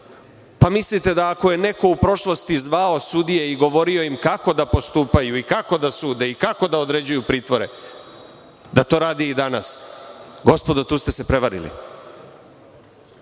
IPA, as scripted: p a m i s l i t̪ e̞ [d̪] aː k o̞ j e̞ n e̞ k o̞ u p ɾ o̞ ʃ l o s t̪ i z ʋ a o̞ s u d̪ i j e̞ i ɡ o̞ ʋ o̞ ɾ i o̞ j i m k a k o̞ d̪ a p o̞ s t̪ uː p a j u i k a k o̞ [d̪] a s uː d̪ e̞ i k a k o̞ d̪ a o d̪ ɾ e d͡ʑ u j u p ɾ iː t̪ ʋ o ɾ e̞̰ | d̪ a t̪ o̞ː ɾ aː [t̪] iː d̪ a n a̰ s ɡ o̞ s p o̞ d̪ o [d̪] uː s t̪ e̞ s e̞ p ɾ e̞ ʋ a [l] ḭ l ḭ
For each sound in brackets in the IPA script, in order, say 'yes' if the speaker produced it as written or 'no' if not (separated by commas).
yes, yes, no, no, no